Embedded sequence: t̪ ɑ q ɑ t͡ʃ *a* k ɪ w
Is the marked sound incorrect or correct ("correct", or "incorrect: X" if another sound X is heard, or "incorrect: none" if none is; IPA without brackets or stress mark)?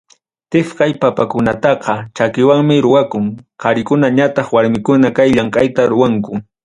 correct